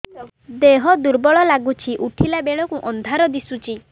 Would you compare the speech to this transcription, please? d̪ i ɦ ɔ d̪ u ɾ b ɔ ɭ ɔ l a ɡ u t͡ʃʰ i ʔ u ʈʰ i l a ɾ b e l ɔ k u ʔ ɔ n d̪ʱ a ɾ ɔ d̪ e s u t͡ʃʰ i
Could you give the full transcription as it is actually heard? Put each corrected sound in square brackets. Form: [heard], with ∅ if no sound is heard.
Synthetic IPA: d̪ [e] ɦ ɔ d̪ u ɾ b ɔ ɭ ɔ l a ɡ u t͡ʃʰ i ʔ u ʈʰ i l a [∅] b e [ɭ] ɔ k u ʔ ɔ n d̪ʱ a ɾ ɔ d̪ [i] s u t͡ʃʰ i